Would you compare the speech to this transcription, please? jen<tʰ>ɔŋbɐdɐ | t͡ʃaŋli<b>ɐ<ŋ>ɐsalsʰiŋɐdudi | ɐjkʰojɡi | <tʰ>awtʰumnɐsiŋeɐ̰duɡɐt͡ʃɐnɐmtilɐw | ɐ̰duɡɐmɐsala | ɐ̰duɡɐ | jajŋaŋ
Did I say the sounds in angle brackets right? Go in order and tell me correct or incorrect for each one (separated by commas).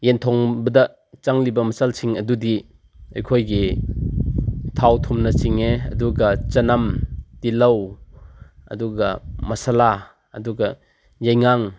correct, correct, incorrect, correct